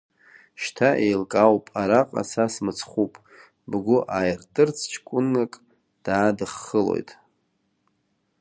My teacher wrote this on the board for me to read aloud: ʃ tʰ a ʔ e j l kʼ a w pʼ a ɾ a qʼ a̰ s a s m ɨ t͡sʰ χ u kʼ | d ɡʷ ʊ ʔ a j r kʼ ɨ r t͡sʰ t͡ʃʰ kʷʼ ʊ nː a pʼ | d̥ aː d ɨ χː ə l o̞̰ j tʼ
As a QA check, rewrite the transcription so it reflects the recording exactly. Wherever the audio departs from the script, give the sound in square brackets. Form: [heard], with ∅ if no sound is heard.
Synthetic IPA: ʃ tʰ a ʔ e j l kʼ a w pʼ a ɾ a qʼ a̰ s a s m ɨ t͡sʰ χ u [pʼ] | [b] ɡʷ ʊ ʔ a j r [tʼ] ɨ r t͡sʰ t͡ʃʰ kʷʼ ʊ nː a [kʼ] | d̥ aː d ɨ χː ə l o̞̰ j tʼ